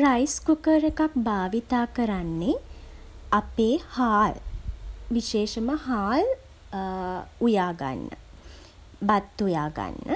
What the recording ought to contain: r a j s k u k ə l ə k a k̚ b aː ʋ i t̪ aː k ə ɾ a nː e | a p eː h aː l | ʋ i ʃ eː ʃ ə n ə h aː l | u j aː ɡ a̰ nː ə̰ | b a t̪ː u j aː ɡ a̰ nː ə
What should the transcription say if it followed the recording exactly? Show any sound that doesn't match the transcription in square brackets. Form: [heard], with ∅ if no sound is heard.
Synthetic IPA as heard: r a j s k u k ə [ɾ] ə k a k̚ b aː ʋ i t̪ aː k ə ɾ a nː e | a p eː h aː l | ʋ i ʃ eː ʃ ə [m] ə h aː l | u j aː ɡ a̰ nː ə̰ | b a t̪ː u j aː ɡ a̰ nː ə